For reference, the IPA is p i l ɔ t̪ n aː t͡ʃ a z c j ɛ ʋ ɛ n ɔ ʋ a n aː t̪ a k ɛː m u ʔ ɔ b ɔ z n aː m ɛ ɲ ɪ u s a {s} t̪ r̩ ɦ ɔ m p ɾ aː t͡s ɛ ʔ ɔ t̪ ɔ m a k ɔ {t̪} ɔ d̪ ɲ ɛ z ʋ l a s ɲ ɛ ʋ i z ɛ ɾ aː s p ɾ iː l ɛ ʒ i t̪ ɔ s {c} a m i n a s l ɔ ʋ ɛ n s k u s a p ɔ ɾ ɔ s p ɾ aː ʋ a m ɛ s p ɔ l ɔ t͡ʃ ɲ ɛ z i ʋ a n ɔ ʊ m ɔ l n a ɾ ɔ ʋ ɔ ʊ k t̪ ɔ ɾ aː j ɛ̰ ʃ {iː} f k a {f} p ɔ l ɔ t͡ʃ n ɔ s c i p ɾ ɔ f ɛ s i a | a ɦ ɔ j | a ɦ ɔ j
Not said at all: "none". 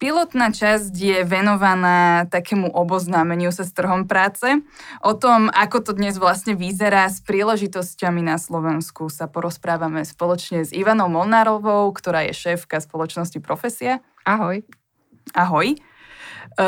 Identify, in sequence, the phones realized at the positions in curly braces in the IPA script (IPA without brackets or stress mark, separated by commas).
s, t̪, c, ɛː, s